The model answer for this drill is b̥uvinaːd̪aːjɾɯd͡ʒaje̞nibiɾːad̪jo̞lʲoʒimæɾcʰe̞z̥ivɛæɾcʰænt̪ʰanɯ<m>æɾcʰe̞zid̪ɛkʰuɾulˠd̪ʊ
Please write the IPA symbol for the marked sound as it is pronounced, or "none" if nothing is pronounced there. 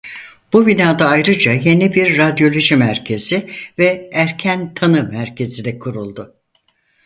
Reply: m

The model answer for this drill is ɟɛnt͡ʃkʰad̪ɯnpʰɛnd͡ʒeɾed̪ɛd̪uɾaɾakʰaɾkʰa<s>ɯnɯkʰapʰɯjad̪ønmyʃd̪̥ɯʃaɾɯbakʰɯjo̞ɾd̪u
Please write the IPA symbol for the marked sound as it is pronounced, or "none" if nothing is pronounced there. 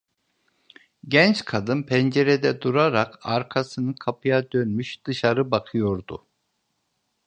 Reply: s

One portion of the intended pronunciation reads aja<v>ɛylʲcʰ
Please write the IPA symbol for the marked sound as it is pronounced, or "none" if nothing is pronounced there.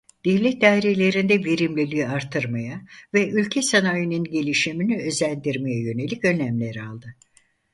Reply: v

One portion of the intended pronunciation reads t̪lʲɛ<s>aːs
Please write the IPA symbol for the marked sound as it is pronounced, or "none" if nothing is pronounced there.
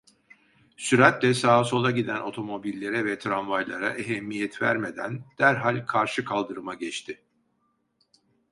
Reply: s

